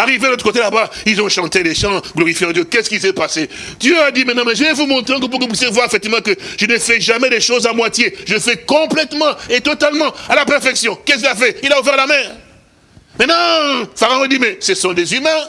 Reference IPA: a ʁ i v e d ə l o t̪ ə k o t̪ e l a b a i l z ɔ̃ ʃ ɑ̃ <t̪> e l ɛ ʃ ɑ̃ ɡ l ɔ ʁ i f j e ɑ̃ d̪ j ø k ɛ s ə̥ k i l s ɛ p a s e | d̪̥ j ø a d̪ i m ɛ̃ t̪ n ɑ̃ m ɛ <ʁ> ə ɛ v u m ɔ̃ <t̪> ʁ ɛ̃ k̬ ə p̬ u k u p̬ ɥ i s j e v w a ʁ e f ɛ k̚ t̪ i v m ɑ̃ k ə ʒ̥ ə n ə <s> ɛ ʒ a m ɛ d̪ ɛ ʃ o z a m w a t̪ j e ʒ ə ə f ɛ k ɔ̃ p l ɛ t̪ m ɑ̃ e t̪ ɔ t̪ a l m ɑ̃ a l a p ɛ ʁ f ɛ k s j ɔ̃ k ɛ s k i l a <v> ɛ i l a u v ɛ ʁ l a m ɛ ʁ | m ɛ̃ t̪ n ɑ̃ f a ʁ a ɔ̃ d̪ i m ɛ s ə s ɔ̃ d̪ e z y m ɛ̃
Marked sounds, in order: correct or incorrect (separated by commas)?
correct, incorrect, correct, incorrect, incorrect